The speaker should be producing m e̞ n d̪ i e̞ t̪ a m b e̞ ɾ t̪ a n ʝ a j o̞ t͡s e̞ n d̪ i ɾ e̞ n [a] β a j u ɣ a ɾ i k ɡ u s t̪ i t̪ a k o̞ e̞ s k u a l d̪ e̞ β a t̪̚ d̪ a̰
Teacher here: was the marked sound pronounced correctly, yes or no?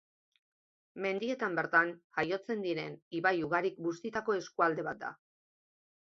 no